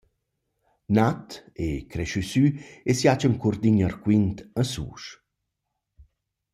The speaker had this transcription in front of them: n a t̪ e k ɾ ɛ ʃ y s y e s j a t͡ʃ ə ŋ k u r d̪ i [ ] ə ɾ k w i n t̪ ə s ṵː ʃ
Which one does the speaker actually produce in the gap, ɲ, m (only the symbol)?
ɲ